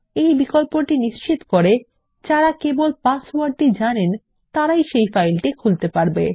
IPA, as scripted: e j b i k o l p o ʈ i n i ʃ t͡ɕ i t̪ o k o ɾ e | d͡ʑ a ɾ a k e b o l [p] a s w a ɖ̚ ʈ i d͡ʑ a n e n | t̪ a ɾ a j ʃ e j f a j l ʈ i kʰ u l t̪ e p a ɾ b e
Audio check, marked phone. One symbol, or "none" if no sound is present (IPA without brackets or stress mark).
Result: p